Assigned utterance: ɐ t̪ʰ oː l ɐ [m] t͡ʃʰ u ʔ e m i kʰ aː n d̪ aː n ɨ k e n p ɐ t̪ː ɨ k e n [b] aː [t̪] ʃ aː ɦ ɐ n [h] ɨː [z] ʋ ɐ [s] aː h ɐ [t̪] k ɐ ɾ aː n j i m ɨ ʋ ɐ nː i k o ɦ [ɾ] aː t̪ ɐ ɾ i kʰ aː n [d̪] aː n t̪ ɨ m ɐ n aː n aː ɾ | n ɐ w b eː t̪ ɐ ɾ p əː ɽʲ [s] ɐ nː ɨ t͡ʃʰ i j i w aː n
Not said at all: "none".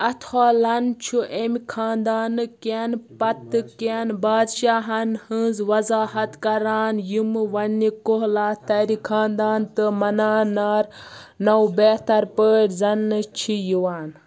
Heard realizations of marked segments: n, b, d̪, h, z, z, t̪, l, d̪, z

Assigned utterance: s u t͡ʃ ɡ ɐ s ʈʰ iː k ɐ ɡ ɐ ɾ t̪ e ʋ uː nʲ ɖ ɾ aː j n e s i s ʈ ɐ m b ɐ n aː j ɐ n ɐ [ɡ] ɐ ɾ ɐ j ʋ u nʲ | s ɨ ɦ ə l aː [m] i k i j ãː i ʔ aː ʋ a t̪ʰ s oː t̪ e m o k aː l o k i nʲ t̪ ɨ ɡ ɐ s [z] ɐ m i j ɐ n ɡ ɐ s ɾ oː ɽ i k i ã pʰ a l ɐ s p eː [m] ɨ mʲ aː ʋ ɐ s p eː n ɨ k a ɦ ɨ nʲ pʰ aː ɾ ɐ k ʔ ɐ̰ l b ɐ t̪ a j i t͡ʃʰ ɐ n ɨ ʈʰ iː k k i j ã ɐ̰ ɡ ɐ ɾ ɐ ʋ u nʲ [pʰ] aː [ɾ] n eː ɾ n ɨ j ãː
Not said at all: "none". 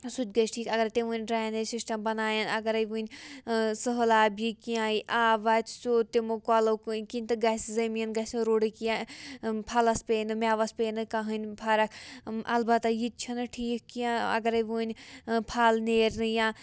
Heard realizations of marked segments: ɡ, b, z, n, pʰ, l

